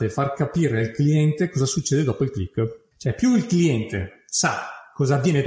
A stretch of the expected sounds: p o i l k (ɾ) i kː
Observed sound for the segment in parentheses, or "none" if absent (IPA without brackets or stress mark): l